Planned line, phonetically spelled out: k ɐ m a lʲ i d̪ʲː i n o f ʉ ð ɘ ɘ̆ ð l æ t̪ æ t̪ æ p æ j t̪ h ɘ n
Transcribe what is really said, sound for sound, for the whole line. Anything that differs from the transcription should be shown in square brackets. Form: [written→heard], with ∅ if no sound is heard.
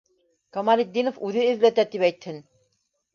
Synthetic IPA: k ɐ m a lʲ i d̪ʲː i n o f ʉ ð ɘ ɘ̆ ð l æ t̪ æ t̪ [æ→i] p æ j t̪ h ɘ n